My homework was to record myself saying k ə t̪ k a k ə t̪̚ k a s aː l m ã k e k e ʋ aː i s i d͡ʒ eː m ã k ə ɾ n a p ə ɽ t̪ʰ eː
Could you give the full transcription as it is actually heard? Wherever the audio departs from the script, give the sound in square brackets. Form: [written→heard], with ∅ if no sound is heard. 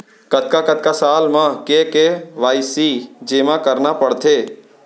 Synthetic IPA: k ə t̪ k a k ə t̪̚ k a s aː l m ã k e k e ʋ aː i s i d͡ʒ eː m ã k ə ɾ n a p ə ɽ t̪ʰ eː